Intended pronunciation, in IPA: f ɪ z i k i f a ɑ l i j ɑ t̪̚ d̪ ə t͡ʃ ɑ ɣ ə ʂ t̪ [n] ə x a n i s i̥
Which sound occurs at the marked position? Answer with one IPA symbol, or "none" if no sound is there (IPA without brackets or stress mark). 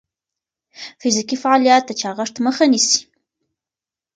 m